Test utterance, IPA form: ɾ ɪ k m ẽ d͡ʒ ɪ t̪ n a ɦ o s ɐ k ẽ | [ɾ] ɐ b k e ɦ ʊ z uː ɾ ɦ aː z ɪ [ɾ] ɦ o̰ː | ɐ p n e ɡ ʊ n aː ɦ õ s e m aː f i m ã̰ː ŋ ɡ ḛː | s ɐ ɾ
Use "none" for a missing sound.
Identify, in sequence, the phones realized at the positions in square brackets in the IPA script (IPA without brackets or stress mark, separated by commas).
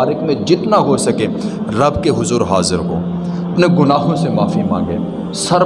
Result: ɾ, ɾ